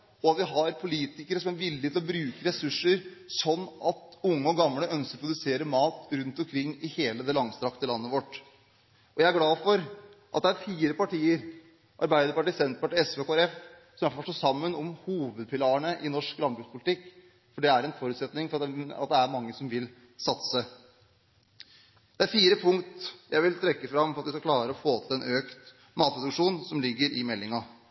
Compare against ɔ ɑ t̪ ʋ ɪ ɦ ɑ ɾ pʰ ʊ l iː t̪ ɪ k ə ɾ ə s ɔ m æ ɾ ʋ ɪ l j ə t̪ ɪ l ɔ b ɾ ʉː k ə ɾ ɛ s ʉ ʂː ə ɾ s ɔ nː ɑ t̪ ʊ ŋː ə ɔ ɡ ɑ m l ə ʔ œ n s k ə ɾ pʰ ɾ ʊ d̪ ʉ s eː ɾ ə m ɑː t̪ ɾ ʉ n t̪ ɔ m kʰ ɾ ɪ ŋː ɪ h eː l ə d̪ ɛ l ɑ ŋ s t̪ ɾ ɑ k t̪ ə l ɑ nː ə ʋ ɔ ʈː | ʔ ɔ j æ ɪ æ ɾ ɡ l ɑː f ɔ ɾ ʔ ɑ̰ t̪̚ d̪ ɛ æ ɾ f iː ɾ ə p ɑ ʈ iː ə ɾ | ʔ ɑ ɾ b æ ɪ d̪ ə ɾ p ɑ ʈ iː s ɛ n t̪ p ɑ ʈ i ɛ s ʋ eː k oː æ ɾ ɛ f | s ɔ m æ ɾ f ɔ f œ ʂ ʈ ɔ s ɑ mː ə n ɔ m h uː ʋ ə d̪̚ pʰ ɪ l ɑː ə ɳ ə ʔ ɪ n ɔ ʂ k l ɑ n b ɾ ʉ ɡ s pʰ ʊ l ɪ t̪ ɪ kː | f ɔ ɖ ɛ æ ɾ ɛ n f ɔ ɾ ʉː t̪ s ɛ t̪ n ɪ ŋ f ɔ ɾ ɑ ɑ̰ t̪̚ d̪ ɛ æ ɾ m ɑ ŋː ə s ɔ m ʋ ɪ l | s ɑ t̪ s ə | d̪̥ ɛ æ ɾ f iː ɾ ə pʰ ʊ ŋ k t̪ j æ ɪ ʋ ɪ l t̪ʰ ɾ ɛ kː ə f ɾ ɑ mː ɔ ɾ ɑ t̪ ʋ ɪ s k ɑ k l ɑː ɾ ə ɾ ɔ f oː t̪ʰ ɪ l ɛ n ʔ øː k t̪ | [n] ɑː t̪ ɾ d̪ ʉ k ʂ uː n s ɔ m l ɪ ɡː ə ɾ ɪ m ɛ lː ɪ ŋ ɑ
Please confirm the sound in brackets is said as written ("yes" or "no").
no